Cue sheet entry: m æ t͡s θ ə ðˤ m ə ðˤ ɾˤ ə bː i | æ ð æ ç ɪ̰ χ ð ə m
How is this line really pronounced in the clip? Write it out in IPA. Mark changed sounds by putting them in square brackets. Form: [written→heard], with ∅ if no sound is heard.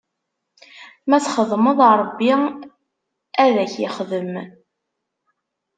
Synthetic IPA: m æ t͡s [θ→χ] ə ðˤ m ə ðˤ ɾˤ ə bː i | æ ð æ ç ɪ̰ χ ð ə m